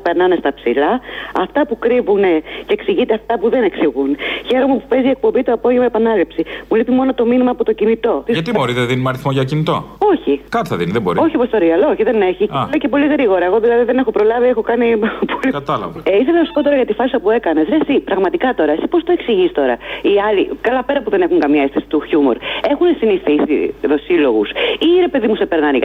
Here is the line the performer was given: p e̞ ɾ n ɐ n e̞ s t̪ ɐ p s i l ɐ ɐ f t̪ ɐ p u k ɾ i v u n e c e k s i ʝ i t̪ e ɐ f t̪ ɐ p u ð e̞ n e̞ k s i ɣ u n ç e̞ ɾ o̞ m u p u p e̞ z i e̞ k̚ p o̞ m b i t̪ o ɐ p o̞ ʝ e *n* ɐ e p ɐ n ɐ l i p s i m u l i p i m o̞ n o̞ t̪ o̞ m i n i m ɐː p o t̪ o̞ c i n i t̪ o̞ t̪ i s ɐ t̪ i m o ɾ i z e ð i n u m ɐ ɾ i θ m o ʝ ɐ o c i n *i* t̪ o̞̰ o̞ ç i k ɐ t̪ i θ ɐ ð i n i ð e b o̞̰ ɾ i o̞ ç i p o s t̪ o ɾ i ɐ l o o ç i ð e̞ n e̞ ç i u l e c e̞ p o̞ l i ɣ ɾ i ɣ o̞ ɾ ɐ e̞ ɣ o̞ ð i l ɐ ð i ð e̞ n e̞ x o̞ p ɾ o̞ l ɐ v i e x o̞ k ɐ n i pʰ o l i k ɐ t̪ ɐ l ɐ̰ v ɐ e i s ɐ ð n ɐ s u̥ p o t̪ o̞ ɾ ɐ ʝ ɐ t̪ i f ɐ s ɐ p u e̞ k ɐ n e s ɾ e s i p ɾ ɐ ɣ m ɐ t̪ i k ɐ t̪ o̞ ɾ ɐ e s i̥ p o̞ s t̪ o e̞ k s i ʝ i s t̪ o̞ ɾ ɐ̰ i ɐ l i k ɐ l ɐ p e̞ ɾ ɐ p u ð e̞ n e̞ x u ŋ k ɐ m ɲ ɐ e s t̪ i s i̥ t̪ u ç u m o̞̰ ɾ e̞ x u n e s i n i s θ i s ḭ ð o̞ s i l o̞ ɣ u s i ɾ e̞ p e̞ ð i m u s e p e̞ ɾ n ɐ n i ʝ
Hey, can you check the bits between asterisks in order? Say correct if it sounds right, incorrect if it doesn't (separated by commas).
incorrect, correct